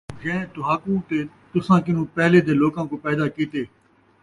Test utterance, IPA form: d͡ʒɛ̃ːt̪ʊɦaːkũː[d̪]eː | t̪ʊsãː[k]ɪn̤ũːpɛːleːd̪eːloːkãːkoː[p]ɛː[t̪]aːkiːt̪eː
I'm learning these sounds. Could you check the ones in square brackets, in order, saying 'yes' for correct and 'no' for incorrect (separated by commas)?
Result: no, yes, yes, no